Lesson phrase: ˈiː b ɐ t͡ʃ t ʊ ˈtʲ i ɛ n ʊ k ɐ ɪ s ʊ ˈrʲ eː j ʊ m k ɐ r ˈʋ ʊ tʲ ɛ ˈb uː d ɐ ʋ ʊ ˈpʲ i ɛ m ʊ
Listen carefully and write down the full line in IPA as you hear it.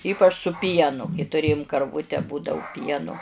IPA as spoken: ˈiː p ɐ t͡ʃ s ʊ ˈpʲ i ɛ n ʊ k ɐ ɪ t ʊ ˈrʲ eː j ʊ m k ɐ r ˈʋ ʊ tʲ ɛ ˈb uː d ɐ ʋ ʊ ˈpʲ i ɛ n ʊ